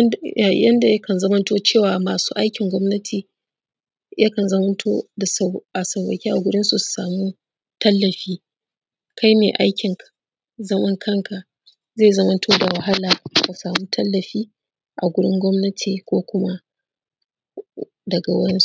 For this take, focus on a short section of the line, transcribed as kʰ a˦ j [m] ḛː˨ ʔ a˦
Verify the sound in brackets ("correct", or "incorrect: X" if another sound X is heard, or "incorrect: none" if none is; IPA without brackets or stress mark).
correct